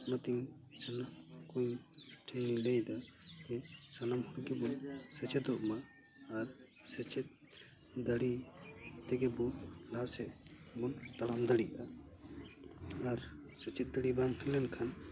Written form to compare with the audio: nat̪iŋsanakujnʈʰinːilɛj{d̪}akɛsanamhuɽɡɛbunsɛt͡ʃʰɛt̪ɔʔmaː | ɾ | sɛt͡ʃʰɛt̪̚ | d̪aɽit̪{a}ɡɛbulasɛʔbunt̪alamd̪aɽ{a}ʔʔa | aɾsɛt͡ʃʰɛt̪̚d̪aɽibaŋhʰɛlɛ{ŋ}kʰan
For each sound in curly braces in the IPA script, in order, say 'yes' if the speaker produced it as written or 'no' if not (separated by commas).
yes, no, no, no